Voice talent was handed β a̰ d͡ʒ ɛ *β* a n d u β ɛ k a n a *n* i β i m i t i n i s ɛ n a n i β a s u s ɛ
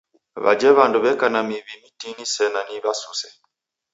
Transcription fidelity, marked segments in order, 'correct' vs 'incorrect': correct, incorrect

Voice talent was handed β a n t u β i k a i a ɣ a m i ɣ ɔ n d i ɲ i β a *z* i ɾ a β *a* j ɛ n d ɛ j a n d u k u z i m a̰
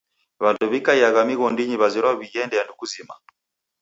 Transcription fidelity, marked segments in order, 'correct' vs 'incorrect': correct, incorrect

